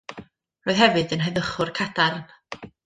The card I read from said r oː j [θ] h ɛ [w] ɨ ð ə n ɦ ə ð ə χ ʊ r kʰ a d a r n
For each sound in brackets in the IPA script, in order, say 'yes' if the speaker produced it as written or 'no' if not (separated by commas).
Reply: no, no